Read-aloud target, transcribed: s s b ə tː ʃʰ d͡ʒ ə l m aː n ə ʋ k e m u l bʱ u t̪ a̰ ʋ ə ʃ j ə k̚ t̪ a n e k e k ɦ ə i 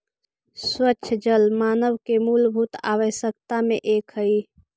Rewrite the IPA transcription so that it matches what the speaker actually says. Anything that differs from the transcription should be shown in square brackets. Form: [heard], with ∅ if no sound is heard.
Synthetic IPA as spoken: s s [w] ə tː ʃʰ d͡ʒ ə l m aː n ə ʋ k e m u l bʱ u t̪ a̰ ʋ ə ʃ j ə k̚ t̪ a [m] e [ʔ] e k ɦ ə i